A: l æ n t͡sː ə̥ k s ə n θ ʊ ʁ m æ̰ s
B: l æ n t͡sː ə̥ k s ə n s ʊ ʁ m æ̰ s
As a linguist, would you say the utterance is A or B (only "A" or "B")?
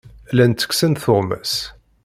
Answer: A